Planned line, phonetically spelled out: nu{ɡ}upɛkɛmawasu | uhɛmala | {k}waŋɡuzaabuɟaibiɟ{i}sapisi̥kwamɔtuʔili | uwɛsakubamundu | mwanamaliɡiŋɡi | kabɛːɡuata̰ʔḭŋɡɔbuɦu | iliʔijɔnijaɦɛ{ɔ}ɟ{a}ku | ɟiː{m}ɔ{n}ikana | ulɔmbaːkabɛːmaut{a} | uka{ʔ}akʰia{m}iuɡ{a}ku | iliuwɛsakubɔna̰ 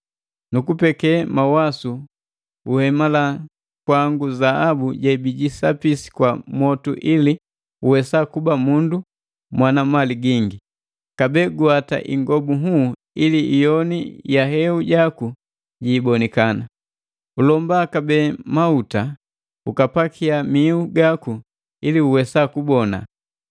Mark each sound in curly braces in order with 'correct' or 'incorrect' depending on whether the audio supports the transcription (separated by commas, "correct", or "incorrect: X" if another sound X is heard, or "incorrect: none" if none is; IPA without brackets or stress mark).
incorrect: k, correct, correct, incorrect: u, correct, incorrect: b, correct, correct, incorrect: p, correct, correct